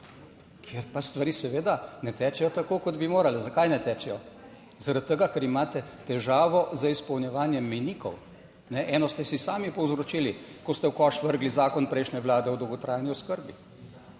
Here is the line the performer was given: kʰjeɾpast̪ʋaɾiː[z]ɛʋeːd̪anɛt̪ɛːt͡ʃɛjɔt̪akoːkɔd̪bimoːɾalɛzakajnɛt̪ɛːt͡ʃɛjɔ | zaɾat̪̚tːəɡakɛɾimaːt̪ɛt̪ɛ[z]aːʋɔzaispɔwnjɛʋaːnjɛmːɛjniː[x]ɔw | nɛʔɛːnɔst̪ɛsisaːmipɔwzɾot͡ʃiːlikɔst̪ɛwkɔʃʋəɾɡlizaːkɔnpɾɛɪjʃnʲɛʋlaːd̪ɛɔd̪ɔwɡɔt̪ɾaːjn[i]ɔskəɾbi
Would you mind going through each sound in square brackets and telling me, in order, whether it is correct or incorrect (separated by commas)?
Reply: incorrect, incorrect, incorrect, correct